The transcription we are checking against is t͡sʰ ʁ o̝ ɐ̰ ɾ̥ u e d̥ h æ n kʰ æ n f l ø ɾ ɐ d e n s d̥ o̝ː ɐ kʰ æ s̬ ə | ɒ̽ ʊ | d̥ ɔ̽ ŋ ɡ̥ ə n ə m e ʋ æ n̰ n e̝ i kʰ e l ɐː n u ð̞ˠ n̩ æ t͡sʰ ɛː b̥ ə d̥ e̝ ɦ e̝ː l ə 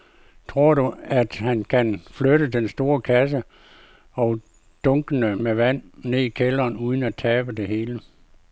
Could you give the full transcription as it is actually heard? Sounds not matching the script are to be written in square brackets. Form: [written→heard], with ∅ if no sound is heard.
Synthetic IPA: t͡sʰ ʁ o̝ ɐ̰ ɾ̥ u [e→æ] d̥ h æ n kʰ æ n f l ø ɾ [ɐ→ə] d e n s d̥ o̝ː ɐ kʰ æ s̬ ə | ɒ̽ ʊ | d̥ ɔ̽ ŋ ɡ̥ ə n ə m e ʋ æ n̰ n e̝ i kʰ e l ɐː n u ð̞ˠ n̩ æ t͡sʰ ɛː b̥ ə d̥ e̝ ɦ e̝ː l ə